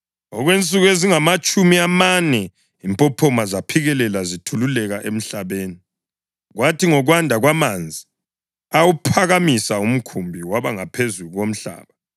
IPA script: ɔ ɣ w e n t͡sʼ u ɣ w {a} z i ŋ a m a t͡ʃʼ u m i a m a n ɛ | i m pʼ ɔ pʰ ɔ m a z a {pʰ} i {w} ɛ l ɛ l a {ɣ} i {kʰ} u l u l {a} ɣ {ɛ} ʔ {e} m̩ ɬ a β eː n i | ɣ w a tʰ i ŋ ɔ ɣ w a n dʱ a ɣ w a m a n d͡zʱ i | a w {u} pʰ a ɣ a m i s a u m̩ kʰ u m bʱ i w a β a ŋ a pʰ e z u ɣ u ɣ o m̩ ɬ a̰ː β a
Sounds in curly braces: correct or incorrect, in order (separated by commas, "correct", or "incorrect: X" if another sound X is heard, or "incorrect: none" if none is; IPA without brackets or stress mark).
incorrect: e, correct, incorrect: ɣ, incorrect: z, incorrect: tʰ, incorrect: ɛ, incorrect: a, correct, correct